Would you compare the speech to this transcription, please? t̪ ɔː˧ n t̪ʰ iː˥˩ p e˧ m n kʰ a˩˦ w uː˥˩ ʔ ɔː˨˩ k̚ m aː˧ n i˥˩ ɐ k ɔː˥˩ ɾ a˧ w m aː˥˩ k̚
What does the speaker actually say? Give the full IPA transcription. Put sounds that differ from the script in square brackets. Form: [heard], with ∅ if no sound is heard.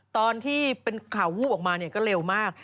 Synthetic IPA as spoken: t̪ ɔː˧ n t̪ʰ iː˥˩ p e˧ [∅] n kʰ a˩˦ w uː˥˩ ʔ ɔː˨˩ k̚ m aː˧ n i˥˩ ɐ k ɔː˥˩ ɾ [e˧] w m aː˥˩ k̚